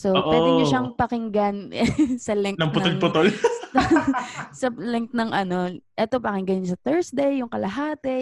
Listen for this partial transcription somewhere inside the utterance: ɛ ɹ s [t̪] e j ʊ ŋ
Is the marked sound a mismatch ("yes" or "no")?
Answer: yes